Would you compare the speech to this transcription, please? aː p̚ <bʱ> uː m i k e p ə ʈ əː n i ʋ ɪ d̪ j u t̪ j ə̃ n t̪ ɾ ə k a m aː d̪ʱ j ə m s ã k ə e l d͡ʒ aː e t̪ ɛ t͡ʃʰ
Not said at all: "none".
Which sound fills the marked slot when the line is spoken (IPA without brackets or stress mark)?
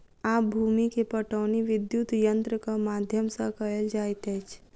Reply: bʱ